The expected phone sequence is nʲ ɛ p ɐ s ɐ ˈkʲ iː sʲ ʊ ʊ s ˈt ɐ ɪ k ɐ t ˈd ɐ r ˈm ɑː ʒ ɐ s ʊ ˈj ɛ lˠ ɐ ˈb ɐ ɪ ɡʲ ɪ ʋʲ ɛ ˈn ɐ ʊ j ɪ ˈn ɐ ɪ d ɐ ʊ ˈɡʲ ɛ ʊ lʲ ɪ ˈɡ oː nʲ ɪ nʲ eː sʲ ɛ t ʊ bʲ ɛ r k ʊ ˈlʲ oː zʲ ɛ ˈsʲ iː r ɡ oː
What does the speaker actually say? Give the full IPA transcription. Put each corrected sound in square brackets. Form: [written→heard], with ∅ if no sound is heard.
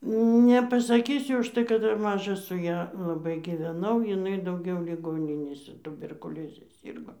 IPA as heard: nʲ ɛ p ɐ s ɐ ˈkʲ iː sʲ ʊ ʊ [s→ʃ] ˈt ɐ ɪ k ɐ t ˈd ɐ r ˈm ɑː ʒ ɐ s ʊ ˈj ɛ lˠ ɐ ˈb ɐ ɪ ɡʲ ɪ ʋʲ ɛ ˈn ɐ ʊ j ɪ ˈn ɐ ɪ d ɐ ʊ ˈɡʲ ɛ ʊ lʲ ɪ ˈɡ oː nʲ ɪ nʲ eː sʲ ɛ t ʊ bʲ ɛ r k ʊ ˈlʲ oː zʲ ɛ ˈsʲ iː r ɡ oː

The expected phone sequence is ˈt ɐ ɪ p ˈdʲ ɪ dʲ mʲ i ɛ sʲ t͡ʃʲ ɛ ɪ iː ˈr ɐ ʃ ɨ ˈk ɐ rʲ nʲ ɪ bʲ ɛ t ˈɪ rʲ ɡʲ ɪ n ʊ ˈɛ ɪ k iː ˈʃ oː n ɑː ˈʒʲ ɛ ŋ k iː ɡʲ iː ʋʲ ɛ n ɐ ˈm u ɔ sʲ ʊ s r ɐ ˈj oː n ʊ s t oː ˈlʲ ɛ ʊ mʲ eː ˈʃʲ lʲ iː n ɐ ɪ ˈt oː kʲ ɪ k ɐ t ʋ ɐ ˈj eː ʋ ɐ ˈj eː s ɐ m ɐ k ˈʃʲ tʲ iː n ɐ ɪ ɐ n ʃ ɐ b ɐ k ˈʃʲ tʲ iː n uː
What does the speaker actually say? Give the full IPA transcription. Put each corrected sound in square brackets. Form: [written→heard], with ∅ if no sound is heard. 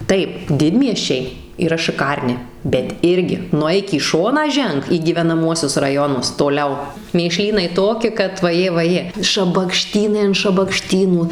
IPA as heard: ˈt ɐ ɪ p ˈdʲ ɪ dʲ mʲ i ɛ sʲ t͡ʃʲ ɛ ɪ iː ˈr ɐ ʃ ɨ ˈk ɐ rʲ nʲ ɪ bʲ ɛ t ˈɪ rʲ ɡʲ ɪ n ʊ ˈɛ ɪ k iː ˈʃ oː n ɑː ˈʒʲ ɛ ŋ k iː ɡʲ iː ʋʲ ɛ n ɐ ˈm u ɔ sʲ ʊ s r ɐ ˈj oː n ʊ s t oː ˈlʲ ɛ ʊ mʲ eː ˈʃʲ lʲ iː n ɐ ɪ ˈt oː kʲ ɪ k ɐ t ʋ ɐ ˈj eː ʋ ɐ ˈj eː [s→ʃ] ɐ [m→b] ɐ k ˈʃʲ tʲ iː n ɐ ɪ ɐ n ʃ ɐ b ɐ k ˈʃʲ tʲ iː n uː

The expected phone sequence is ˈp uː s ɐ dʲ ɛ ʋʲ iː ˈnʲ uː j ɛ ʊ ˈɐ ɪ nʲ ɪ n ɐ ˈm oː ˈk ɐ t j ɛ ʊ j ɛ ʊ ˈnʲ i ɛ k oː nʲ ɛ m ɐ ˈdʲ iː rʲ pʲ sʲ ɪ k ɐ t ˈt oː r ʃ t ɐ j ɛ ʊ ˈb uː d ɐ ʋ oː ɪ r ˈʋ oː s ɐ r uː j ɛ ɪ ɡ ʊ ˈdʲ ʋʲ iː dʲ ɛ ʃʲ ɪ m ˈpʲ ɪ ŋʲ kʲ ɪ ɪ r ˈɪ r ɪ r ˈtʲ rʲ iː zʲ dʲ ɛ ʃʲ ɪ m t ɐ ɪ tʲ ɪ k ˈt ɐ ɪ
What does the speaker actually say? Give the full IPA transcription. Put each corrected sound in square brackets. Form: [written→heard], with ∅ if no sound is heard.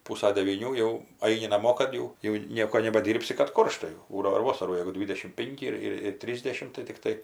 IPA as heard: ˈp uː s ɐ dʲ ɛ ʋʲ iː ˈnʲ uː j ɛ ʊ ˈɐ ɪ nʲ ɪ n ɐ ˈm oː ˈk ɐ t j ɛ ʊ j ɛ ʊ ˈnʲ i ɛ k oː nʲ ɛ [m→b] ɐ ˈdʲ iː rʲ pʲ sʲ ɪ k ɐ t [ˈt→ˈk] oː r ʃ t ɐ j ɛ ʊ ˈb uː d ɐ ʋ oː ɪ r ˈʋ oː s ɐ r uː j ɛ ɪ ɡ ʊ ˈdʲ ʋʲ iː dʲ ɛ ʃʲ ɪ m ˈpʲ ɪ ŋʲ kʲ ɪ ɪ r ˈɪ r ɪ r ˈtʲ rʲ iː zʲ dʲ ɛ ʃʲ ɪ m t ɐ ɪ tʲ ɪ k ˈt ɐ ɪ

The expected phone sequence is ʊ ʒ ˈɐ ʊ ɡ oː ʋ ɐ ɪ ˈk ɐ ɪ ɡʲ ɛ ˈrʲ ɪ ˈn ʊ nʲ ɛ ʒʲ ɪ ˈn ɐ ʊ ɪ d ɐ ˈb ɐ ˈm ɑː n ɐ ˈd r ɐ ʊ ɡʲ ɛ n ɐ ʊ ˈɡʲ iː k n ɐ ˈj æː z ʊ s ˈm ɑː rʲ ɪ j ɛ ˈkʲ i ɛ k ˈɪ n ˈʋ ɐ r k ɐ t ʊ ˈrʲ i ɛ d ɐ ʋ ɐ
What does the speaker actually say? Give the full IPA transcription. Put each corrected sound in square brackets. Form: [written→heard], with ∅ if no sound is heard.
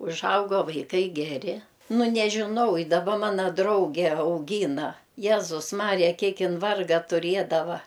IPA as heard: ʊ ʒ ˈɐ ʊ ɡ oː ʋ ɐ ɪ ˈk ɐ ɪ ɡʲ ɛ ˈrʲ ɪ ˈn ʊ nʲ ɛ ʒʲ ɪ ˈn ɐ ʊ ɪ d ɐ ˈb ɐ ˈm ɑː n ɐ ˈd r ɐ ʊ ɡʲ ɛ [n→∅] ɐ ʊ ˈɡʲ iː [k→∅] n ɐ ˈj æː z ʊ s ˈm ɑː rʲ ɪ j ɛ ˈkʲ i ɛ k ˈɪ n ˈʋ ɐ r [k→ɡ] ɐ t ʊ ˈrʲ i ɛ d ɐ ʋ ɐ

